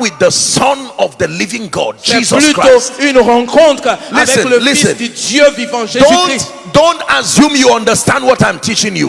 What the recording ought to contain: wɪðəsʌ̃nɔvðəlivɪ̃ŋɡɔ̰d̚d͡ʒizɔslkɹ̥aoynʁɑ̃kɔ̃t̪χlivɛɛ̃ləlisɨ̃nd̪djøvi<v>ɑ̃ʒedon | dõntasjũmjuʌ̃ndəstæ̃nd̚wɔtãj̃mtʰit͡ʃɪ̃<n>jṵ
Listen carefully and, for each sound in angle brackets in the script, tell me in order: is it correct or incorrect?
correct, incorrect: ŋ

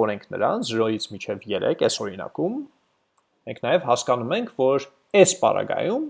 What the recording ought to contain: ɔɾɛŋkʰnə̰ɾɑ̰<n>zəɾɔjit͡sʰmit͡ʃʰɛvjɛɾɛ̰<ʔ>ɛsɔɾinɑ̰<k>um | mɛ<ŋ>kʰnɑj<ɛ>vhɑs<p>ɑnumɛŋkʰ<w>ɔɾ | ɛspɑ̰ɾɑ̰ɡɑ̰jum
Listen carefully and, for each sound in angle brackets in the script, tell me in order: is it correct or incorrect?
correct, incorrect: k, correct, correct, correct, incorrect: k, incorrect: v

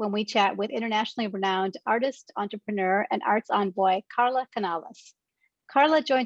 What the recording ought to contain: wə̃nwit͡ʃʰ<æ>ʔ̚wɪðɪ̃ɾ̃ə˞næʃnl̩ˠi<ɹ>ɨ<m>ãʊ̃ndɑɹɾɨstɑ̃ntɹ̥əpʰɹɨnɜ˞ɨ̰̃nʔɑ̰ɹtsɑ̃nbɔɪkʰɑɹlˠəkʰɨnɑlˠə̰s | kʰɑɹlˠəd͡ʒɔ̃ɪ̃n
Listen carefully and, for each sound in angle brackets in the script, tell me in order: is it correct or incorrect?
correct, correct, incorrect: n

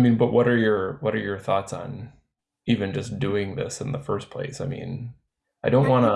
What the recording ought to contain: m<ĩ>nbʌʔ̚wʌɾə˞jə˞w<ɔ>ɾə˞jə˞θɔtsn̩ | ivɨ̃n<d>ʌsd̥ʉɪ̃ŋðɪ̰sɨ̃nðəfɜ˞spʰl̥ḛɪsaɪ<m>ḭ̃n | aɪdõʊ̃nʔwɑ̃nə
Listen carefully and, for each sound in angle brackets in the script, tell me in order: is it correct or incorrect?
correct, incorrect: ʌ, incorrect: d͡ʒ, correct

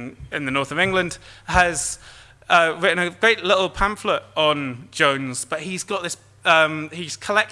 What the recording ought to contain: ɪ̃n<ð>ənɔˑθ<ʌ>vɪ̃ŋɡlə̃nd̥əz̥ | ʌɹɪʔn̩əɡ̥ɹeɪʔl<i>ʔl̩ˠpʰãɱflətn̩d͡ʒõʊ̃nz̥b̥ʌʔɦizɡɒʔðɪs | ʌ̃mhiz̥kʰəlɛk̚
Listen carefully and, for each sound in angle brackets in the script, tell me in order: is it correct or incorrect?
correct, incorrect: ə, incorrect: ɪ

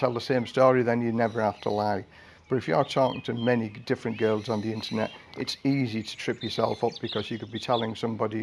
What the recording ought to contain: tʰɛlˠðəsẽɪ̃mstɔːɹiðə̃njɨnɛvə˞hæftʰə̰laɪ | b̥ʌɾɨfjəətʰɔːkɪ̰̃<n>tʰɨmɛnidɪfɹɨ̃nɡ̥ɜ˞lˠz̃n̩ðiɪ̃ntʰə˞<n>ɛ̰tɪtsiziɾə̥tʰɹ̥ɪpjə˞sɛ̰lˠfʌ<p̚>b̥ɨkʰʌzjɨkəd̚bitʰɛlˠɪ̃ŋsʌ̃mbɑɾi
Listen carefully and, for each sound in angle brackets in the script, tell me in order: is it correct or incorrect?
incorrect: ŋ, correct, correct

